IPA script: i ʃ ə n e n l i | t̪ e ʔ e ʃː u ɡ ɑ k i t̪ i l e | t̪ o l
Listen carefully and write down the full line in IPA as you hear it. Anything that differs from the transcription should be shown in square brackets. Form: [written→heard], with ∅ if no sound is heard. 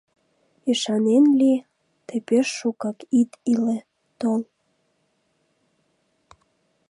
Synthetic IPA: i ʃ [ə→ɑ] n e n l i | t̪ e [ʔ→p] e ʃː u [ɡ→k] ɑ k i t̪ i l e | t̪ o l